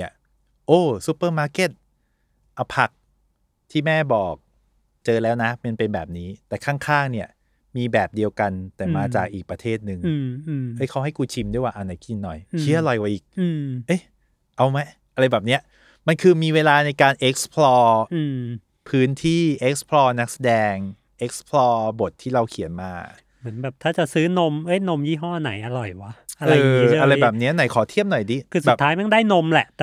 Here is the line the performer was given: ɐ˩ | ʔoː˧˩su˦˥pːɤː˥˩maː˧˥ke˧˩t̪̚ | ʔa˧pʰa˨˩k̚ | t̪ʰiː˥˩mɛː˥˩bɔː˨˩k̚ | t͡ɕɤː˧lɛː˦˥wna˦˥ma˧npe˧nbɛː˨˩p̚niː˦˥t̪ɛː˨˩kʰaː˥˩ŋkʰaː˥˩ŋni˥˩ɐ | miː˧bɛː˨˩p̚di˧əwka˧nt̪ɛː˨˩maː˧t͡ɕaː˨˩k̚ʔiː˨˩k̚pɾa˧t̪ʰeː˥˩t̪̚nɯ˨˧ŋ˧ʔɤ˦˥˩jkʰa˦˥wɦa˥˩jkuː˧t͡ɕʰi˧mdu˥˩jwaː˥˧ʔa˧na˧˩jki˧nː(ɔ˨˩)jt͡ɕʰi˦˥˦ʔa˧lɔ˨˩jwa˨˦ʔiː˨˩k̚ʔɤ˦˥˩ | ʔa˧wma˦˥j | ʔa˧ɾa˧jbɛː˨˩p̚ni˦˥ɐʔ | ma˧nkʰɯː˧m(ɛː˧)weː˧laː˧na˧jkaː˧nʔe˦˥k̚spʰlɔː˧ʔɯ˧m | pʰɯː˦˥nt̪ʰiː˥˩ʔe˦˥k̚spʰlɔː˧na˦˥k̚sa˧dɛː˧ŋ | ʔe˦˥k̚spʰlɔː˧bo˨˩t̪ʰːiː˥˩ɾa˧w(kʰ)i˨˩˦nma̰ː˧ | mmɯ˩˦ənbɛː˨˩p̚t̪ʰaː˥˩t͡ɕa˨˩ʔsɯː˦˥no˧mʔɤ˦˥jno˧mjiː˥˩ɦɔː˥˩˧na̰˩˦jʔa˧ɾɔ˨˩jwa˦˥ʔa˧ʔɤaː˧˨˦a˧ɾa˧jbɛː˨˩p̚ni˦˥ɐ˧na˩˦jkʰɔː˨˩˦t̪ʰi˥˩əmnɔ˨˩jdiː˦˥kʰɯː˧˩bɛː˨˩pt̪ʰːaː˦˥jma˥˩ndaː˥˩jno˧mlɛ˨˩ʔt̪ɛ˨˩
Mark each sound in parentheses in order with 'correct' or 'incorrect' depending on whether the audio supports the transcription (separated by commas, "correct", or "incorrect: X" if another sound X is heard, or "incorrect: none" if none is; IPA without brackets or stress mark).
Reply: correct, incorrect: iː˧, correct